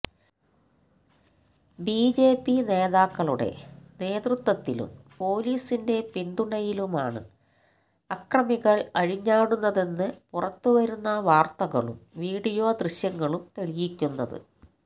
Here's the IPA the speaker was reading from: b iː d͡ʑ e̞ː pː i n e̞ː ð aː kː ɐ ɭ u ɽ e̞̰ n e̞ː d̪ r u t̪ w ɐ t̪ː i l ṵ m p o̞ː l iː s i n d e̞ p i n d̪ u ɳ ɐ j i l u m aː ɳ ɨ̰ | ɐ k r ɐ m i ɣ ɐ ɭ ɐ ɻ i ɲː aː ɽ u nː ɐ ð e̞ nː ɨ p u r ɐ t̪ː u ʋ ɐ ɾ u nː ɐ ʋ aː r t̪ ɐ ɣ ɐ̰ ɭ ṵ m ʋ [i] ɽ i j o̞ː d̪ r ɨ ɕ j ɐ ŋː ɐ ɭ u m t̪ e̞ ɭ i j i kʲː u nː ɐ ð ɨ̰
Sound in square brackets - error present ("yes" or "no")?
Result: yes